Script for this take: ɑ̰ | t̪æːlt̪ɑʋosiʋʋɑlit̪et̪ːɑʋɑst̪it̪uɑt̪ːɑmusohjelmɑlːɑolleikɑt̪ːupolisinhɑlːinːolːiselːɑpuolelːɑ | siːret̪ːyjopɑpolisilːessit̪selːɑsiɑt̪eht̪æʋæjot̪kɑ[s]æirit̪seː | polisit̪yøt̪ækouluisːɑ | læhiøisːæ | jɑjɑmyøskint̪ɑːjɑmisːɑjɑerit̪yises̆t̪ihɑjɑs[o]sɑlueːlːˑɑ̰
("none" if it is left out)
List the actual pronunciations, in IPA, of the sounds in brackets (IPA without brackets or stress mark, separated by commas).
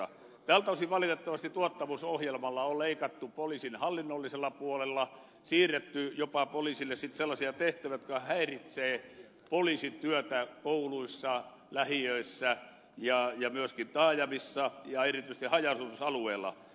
h, u